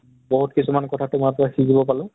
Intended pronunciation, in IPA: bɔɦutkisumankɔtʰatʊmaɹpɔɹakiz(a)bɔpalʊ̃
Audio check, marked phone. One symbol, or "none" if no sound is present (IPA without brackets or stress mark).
i